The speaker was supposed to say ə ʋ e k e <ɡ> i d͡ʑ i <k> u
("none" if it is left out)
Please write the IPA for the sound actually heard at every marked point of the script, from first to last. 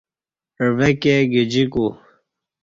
ɡ, k

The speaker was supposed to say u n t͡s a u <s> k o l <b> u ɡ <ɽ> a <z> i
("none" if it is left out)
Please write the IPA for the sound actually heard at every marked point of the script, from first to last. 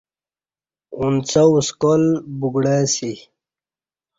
s, b, ɽ, s

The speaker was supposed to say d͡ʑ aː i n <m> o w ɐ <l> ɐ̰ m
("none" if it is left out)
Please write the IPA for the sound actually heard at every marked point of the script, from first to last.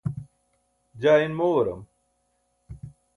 m, ɾ

